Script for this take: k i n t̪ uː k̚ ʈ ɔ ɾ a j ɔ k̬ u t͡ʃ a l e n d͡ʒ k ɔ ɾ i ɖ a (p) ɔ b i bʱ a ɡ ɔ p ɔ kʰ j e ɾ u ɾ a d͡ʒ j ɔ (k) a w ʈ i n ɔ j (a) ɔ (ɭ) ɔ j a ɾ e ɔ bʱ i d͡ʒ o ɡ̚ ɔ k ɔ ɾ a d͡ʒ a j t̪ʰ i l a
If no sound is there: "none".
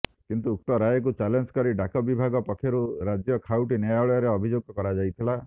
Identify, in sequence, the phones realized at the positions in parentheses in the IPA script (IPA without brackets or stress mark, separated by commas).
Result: k, kʰ, a, ɭ